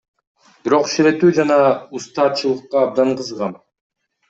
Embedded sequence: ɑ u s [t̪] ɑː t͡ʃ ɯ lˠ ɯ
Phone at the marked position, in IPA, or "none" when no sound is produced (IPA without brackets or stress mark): t̪